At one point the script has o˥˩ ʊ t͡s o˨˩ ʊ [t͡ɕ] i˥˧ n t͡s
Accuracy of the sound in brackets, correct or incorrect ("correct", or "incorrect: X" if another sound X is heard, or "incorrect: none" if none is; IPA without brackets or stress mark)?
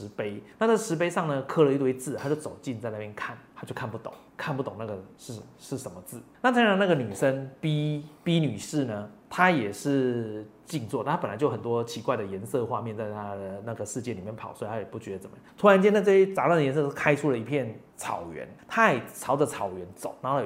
correct